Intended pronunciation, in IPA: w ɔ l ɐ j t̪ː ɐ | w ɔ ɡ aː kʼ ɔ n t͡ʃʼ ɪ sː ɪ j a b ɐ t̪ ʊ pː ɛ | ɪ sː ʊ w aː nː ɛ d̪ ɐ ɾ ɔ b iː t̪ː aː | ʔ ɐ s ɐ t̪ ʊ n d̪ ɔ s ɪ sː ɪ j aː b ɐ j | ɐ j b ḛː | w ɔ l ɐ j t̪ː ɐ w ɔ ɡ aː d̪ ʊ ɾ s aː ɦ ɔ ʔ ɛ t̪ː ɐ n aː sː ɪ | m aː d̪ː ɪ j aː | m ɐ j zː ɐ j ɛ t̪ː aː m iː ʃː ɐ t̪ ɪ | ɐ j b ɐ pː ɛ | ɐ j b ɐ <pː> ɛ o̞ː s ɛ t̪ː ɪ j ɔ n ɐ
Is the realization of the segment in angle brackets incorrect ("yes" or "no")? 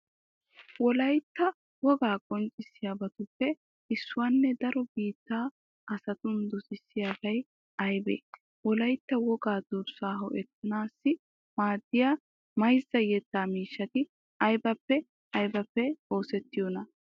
no